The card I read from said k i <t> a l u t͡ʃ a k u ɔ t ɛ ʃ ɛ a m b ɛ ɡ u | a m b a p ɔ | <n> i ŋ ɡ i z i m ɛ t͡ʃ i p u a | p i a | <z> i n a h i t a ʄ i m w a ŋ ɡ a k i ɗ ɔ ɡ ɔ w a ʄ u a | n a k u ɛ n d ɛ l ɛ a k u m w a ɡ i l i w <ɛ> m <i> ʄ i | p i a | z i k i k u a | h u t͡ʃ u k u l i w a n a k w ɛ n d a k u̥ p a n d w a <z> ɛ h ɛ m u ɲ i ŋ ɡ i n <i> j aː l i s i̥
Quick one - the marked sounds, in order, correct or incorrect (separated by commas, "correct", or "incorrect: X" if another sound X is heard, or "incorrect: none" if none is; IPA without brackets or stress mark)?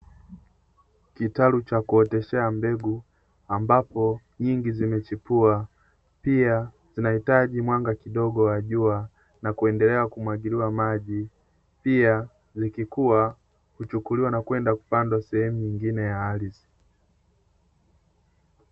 correct, incorrect: ɲ, correct, incorrect: a, incorrect: a, incorrect: s, incorrect: ɛ